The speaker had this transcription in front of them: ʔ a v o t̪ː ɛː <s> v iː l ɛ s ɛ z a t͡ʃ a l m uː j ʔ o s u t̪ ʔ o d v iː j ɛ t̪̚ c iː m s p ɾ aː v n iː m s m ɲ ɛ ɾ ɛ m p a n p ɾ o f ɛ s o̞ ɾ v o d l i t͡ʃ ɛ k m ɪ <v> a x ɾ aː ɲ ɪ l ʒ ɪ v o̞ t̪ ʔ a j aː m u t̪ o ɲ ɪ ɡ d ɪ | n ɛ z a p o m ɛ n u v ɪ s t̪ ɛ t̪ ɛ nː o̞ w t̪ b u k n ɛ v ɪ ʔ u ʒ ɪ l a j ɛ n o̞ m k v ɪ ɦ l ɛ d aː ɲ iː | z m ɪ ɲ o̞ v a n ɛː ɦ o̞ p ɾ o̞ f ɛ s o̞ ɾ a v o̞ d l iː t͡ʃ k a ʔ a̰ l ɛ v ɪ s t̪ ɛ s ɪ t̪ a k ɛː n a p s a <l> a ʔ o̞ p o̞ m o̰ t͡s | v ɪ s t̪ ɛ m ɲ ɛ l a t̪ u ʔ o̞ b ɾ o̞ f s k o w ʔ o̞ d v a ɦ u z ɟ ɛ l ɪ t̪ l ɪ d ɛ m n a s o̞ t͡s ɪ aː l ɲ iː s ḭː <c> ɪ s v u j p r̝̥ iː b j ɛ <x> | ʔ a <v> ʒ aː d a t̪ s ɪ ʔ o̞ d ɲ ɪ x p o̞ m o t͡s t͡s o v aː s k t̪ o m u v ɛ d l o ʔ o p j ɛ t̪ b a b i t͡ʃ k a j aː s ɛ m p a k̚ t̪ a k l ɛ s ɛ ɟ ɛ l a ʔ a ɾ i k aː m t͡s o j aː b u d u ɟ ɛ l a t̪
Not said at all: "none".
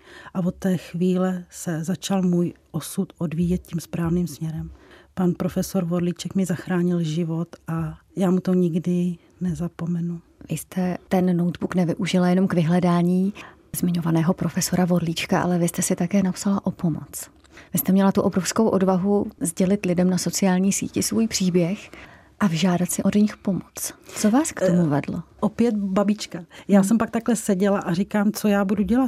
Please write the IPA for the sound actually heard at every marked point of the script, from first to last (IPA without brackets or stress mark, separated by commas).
x, z, l, c, x, v